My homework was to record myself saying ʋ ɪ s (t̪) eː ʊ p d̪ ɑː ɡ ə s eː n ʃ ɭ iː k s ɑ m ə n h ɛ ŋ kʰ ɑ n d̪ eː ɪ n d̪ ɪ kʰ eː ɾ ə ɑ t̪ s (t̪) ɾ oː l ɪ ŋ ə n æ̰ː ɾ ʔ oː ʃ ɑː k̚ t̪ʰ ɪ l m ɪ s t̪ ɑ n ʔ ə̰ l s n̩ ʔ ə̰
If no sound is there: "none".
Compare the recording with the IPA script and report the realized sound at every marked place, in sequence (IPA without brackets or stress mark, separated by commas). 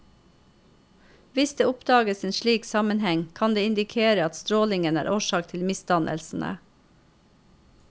d̪, t̪